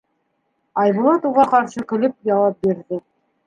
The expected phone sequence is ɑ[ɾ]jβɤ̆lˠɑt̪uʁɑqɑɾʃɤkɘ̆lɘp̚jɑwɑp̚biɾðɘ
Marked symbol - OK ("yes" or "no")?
no